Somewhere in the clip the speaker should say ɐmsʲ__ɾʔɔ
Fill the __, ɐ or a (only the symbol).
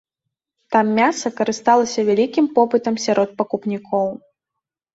a